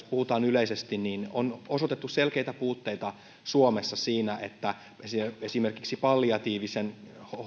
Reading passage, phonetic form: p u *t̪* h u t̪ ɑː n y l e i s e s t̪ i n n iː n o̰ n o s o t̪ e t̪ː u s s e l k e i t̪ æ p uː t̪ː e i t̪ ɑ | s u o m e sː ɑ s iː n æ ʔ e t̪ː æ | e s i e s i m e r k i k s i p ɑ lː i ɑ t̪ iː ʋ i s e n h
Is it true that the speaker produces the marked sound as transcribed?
no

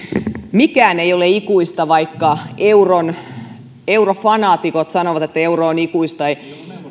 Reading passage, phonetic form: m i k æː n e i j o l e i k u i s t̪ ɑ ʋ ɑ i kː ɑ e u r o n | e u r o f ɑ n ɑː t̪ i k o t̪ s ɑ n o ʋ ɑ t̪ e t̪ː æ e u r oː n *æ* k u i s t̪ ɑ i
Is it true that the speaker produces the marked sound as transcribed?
no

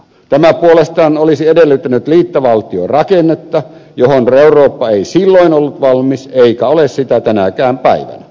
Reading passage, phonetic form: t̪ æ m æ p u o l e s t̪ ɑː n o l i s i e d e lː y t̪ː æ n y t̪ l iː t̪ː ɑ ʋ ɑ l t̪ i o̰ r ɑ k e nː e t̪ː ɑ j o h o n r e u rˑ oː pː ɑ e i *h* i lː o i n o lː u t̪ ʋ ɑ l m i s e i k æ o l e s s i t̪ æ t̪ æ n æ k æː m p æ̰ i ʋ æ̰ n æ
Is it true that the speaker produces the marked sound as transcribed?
no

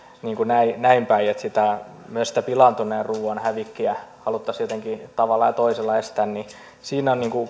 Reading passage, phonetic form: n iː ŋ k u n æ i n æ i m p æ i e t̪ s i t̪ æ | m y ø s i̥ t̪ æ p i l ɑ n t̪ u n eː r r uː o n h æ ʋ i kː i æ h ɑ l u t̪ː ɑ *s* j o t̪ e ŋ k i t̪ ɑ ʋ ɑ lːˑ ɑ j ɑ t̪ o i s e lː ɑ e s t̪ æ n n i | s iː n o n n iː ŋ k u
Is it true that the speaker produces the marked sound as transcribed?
yes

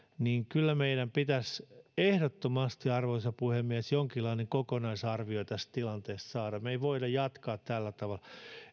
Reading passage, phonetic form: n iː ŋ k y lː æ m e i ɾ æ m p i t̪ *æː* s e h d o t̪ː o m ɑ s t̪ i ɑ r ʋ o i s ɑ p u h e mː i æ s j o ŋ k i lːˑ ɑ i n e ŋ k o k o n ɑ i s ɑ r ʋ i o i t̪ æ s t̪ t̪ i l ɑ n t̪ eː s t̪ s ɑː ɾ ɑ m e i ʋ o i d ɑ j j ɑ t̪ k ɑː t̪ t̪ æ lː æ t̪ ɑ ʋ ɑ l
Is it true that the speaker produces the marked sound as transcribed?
no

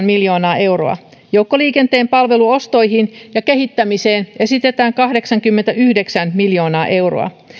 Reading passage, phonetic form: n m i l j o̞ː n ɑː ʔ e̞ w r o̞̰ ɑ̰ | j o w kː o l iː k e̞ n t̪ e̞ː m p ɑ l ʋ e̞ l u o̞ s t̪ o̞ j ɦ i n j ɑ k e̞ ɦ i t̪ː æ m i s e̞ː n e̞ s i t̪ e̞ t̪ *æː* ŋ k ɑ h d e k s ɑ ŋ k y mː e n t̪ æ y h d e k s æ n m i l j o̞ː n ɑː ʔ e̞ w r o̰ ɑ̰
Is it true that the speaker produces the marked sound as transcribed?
yes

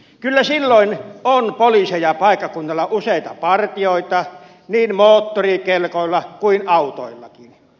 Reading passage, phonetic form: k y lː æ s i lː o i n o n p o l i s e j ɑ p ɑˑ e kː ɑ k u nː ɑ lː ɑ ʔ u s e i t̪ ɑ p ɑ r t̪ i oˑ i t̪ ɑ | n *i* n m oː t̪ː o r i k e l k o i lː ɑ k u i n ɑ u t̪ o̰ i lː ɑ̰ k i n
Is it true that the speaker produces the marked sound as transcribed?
no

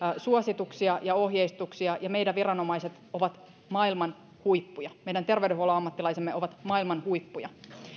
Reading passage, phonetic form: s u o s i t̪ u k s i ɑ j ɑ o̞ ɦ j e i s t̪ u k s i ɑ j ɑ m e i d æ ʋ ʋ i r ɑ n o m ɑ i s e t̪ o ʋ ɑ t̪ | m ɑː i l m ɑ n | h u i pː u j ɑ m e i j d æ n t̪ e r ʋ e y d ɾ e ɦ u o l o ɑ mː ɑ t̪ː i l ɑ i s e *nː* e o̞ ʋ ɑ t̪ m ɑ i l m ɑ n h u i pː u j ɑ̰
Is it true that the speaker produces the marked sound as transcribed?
no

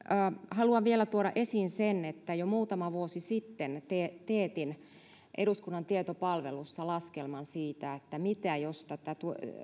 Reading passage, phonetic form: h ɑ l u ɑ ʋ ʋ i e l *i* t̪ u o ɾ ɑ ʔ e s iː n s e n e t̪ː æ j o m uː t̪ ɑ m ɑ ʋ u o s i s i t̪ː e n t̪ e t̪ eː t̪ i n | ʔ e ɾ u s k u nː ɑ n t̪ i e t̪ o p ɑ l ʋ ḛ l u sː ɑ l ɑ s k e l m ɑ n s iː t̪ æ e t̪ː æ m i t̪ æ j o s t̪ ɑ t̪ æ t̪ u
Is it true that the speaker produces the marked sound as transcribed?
no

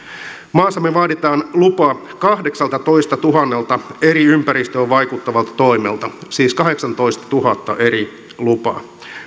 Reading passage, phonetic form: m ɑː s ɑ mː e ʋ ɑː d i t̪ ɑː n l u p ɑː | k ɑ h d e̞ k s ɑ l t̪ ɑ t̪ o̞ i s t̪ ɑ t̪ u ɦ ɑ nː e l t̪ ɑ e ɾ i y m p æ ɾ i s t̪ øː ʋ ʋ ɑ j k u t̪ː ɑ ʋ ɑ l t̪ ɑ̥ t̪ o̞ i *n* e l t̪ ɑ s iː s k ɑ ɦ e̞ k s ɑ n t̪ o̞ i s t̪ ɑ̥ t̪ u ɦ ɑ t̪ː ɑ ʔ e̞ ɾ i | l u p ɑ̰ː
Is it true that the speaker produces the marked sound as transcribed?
no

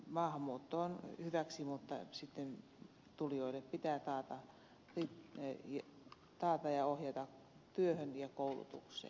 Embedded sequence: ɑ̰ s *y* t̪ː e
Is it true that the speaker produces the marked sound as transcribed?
no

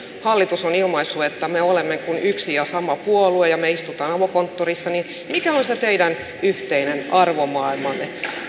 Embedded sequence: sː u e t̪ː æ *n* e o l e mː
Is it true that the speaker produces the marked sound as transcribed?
no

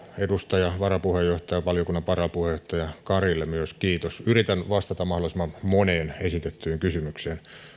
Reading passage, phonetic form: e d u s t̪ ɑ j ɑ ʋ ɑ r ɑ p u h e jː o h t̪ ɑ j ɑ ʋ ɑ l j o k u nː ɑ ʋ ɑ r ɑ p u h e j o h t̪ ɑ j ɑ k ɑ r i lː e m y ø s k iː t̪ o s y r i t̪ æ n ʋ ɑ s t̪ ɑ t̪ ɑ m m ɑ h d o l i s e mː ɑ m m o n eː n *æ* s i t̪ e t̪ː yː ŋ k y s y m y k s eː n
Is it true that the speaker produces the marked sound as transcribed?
no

